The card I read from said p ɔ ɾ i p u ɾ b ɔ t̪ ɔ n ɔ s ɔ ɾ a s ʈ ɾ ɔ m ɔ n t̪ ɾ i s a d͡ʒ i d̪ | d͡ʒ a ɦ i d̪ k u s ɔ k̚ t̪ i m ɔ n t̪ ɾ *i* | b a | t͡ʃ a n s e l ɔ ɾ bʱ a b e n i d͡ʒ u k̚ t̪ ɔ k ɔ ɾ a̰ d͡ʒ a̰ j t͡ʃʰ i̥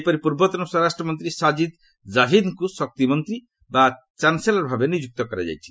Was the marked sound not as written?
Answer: no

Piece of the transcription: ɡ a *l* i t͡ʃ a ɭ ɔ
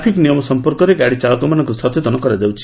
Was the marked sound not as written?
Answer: yes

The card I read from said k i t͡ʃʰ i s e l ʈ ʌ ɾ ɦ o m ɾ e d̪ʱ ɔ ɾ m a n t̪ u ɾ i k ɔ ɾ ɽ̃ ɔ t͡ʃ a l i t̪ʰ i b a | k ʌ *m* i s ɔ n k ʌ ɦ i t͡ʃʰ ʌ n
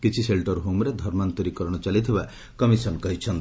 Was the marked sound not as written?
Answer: no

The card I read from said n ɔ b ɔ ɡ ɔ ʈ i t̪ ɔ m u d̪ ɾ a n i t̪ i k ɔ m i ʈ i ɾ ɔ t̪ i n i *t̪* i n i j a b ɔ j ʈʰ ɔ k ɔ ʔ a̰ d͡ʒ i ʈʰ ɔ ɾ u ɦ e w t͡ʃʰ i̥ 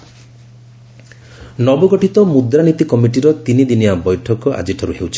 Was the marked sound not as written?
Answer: yes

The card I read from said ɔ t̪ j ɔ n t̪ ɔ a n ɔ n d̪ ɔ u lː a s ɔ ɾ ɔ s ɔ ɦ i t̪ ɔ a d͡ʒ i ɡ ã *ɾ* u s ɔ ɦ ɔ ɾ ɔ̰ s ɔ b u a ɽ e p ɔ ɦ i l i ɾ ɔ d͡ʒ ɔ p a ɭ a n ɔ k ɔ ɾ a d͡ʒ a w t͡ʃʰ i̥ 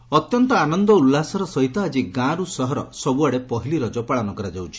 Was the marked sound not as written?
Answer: no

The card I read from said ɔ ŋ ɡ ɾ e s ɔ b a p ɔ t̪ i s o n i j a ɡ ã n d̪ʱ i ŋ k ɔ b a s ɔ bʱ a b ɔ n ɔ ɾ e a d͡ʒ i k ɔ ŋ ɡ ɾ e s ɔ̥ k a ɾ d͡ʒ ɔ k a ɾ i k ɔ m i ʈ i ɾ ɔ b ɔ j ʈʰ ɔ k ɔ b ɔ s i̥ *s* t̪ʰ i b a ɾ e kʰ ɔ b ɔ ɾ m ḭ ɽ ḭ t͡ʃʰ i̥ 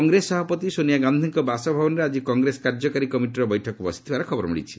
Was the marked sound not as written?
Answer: yes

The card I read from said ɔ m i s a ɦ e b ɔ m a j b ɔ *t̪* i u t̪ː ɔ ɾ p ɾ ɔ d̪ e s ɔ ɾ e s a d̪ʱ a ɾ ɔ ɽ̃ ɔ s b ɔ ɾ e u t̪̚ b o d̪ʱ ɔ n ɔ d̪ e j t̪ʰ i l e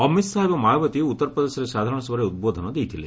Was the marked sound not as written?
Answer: no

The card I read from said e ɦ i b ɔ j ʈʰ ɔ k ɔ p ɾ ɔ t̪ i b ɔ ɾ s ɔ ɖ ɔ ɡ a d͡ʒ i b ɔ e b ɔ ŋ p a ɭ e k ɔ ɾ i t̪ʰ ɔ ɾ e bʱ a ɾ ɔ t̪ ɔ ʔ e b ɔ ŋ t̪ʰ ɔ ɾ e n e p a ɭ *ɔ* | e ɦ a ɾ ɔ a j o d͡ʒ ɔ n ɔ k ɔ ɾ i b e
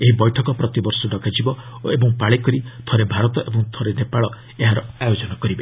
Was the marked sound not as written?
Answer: no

